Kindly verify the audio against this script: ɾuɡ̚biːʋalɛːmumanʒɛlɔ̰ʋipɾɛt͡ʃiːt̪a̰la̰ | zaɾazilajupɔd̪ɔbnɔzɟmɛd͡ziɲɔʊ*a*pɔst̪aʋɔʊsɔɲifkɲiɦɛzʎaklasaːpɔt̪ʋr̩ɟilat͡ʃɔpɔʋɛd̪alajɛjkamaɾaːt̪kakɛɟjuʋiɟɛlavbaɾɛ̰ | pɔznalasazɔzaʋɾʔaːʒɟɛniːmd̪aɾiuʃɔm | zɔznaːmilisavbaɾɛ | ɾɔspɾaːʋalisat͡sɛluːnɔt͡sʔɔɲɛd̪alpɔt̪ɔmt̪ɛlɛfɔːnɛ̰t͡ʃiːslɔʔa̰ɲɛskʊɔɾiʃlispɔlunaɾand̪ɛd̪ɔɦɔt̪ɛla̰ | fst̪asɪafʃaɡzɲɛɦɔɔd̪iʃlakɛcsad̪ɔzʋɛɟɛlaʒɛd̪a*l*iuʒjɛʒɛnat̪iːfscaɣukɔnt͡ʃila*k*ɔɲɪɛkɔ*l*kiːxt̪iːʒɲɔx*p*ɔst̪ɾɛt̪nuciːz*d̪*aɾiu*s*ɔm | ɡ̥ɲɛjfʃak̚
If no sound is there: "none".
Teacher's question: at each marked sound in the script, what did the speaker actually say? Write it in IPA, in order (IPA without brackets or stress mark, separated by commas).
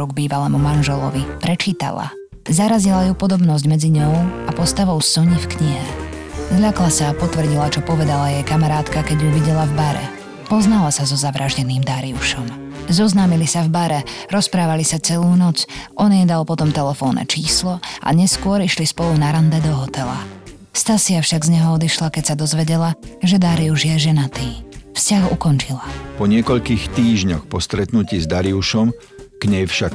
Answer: a, ɾ, p, ʎ, p, d̪, ʃ